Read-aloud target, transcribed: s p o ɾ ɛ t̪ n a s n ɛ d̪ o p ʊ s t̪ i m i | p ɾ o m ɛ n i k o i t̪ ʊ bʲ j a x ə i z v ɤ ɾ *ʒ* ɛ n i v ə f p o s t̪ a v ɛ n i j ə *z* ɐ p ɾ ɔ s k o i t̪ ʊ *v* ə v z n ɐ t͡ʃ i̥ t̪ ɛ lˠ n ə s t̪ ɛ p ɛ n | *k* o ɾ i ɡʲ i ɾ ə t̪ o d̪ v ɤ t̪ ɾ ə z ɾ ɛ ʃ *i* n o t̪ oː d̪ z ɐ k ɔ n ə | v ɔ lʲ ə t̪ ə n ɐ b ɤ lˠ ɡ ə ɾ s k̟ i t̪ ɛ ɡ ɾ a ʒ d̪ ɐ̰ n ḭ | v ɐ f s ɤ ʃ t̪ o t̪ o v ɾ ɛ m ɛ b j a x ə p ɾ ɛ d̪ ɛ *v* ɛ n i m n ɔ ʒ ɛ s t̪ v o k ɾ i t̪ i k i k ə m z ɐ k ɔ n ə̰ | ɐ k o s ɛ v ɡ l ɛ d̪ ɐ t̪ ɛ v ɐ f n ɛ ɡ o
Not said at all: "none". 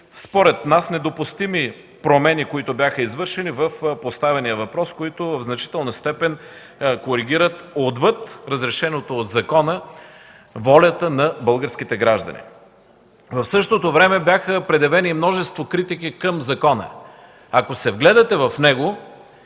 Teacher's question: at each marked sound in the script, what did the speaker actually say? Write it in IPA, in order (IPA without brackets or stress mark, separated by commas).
ʃ, v, v, k, ɛ, v